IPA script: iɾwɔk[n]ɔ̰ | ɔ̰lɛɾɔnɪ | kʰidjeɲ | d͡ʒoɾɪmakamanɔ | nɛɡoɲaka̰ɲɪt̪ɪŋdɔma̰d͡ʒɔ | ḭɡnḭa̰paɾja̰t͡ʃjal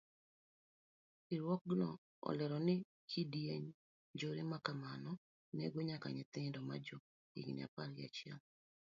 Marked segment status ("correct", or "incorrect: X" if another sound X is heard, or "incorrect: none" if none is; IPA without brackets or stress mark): correct